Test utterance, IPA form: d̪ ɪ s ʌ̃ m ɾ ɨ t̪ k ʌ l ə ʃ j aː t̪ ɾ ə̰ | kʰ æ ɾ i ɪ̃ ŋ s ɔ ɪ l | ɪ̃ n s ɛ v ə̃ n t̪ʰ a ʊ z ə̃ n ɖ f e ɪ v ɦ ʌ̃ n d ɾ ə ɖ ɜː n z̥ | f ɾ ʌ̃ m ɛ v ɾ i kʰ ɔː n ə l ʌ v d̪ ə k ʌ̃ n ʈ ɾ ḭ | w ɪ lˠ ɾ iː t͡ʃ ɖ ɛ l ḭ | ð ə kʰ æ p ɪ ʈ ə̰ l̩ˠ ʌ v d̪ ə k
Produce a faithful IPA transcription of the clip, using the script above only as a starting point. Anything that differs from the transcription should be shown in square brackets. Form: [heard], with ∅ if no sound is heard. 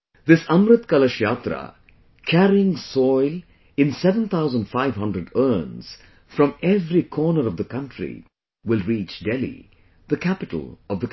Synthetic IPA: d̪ ɪ s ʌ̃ m ɾ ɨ t̪ k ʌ l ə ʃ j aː t̪ ɾ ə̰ | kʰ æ ɾ i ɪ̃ ŋ s ɔ ɪ l | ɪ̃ n s ɛ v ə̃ n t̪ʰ a ʊ z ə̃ n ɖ f [a] ɪ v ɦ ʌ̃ n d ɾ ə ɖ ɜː n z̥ | f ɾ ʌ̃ m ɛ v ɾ i kʰ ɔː n ə [ɾ] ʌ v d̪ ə k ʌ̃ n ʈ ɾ ḭ | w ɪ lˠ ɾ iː t͡ʃ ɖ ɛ l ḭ | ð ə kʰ æ p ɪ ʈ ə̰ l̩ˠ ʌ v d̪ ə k